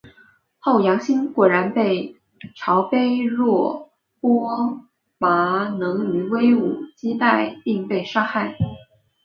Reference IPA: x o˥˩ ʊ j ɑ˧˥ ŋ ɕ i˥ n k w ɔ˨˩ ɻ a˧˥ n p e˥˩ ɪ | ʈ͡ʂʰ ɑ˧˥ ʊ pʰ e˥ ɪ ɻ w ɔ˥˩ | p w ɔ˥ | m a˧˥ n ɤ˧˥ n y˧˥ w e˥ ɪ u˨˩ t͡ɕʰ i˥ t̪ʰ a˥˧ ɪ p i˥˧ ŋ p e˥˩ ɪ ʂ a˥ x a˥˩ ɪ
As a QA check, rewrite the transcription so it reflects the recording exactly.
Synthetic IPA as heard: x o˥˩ ʊ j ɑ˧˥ ŋ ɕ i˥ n k w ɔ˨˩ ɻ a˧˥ n p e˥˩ ɪ | ʈ͡ʂʰ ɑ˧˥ ʊ p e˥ ɪ ɻ w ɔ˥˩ | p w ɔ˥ | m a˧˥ n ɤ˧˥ ŋ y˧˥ w e˥ ɪ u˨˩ t͡ɕ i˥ t̪ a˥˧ ɪ p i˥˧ ŋ p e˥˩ ɪ ʂ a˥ x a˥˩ ɪ